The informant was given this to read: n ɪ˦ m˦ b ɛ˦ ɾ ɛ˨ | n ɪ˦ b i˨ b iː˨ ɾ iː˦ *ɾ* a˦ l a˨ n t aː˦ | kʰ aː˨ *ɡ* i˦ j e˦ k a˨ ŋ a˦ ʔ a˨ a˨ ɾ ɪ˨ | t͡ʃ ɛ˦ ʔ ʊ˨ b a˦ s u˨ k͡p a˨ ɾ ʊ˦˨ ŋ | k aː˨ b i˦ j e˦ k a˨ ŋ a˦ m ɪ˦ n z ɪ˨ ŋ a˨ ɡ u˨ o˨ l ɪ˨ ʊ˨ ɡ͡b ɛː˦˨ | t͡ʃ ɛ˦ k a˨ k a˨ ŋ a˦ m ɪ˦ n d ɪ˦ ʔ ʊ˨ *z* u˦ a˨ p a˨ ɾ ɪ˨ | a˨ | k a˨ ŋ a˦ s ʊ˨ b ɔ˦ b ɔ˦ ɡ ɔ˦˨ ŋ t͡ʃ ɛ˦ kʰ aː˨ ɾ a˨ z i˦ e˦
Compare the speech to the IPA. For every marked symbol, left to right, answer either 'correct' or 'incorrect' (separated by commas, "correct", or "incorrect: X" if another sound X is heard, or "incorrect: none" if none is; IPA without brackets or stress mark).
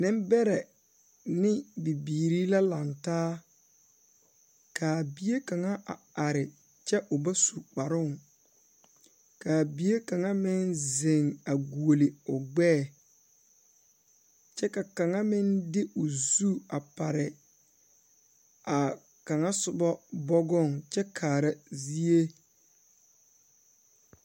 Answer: incorrect: l, incorrect: b, correct